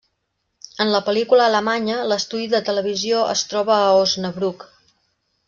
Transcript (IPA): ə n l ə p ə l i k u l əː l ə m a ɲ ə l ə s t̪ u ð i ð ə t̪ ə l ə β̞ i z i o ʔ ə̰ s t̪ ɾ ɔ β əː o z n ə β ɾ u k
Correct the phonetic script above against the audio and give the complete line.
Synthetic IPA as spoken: ə n l ə p ə l i k u l əː l ə m a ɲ ə l ə s t̪ u ð i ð ə t̪ ə l ə β̞ i z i o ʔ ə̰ s t̪ ɾ ɔ β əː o z n ə β ɾ u k